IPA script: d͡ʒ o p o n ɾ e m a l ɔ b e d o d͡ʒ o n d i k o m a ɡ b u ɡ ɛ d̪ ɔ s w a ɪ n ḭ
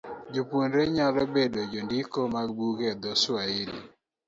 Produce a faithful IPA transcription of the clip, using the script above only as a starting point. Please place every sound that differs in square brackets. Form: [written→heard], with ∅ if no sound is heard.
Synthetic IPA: d͡ʒ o p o n ɾ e [m→ɲ] a l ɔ b e d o d͡ʒ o n d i k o m a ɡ b u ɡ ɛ d̪ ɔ s w a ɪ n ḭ